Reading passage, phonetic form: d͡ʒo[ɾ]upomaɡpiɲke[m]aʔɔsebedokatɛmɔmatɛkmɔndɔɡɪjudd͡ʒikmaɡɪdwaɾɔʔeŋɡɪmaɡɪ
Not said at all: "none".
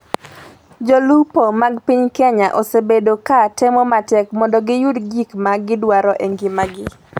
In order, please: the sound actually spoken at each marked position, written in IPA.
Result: l, ɲ

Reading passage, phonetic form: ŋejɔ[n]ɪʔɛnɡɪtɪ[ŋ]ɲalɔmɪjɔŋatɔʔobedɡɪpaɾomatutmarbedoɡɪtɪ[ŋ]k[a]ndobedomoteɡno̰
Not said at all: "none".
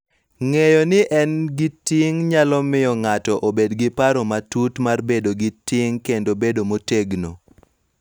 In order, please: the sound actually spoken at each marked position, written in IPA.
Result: n, ŋ, ŋ, e

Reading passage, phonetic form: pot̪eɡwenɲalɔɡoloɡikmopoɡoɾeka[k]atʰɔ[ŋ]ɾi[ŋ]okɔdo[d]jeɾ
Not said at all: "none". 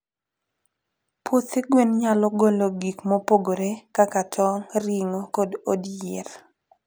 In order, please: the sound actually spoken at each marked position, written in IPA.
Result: k, ŋ, ŋ, d

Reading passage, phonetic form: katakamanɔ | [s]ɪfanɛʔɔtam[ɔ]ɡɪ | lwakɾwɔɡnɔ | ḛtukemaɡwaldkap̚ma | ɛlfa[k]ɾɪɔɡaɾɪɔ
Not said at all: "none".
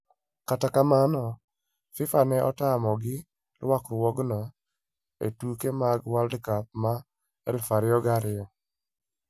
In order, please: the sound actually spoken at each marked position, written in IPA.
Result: f, ɔ, none

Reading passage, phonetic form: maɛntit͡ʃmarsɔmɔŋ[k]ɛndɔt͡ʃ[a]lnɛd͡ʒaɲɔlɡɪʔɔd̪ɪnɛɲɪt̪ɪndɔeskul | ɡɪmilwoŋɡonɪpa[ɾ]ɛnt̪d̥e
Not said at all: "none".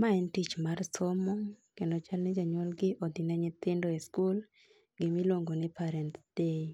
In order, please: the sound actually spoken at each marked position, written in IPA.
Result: k, a, ɾ

